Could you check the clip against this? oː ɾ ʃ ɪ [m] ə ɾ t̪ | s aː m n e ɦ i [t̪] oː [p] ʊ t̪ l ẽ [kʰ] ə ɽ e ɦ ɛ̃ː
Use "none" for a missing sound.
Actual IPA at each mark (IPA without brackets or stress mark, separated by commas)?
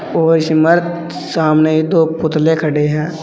m, d̪, p, kʰ